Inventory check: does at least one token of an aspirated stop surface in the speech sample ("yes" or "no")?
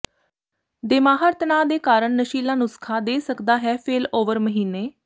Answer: yes